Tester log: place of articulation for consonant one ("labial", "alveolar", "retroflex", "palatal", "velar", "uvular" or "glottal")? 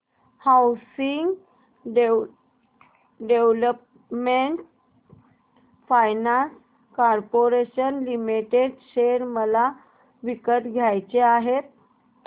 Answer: glottal